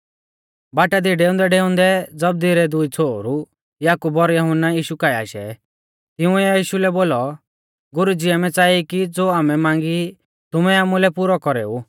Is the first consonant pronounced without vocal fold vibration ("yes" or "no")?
no